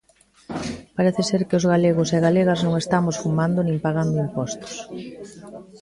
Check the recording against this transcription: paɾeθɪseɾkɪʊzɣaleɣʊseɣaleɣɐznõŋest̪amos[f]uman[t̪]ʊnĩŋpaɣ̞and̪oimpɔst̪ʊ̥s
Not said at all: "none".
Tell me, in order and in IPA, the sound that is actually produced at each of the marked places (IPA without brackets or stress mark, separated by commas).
f, d̪